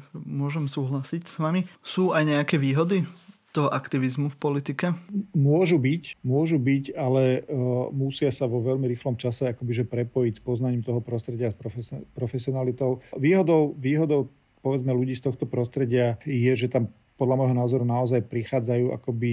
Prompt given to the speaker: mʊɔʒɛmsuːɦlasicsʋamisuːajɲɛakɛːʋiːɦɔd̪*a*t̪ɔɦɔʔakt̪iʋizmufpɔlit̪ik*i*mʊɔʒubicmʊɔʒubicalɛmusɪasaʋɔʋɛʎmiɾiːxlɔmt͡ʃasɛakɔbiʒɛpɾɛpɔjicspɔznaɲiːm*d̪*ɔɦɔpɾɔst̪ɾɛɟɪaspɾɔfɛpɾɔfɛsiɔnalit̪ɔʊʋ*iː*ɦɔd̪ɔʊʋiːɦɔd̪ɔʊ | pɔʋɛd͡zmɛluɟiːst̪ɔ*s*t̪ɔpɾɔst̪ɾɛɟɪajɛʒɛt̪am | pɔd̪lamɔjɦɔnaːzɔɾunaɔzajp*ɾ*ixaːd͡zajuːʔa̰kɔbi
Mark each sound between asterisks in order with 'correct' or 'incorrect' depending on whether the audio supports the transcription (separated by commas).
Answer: incorrect, incorrect, incorrect, correct, incorrect, correct